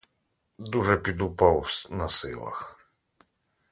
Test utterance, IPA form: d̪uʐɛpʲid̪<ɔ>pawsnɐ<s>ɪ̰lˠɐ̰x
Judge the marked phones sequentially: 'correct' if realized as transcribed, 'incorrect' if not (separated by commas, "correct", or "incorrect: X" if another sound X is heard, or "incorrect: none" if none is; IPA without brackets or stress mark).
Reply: incorrect: u, correct